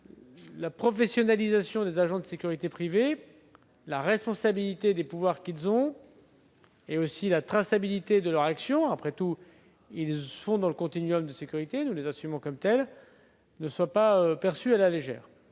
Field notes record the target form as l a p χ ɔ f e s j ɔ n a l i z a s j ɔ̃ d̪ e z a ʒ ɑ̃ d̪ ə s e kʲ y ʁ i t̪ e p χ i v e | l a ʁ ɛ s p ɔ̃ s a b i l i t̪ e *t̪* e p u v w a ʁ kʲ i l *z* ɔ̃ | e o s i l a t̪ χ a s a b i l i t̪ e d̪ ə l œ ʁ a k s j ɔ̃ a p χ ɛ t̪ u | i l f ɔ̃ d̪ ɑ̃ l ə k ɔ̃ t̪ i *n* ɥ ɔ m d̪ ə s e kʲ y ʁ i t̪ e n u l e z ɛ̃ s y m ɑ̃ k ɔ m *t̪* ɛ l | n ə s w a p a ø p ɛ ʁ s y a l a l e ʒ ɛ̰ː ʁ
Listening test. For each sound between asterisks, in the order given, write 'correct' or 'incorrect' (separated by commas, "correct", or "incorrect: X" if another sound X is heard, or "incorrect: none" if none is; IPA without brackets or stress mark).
incorrect: d̪, correct, correct, correct